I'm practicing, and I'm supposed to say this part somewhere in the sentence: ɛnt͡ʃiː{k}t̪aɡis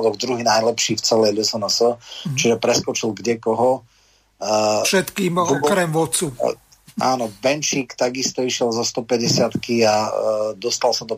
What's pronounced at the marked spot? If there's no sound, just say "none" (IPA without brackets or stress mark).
k